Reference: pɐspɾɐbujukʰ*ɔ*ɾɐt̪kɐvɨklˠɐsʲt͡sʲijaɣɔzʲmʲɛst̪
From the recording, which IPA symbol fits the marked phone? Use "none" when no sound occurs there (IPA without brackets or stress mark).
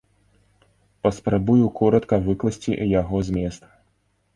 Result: ɔ